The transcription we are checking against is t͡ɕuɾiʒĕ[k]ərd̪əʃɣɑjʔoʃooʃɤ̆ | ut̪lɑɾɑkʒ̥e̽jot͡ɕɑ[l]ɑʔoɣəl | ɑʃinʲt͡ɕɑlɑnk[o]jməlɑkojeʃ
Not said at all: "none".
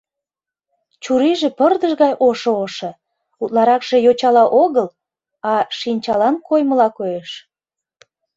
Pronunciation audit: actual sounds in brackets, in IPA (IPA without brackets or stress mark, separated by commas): p, l, o